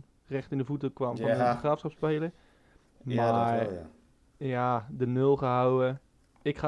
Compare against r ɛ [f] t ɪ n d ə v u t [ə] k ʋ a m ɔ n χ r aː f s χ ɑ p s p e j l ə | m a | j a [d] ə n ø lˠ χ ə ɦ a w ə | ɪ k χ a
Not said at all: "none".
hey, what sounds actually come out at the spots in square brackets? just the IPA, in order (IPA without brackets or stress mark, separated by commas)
χ, ə, d